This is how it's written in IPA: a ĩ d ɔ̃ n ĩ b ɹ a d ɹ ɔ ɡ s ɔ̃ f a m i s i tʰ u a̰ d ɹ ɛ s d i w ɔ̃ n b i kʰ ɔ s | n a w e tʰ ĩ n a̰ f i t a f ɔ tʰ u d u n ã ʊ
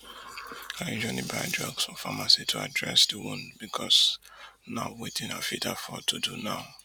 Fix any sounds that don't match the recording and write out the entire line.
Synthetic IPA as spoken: a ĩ d͡ʒ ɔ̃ n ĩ b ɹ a d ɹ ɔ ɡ s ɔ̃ f a m a s i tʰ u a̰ d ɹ ɛ s d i w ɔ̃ n b i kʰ ɔ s | n a w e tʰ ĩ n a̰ f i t a f ɔ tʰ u d u n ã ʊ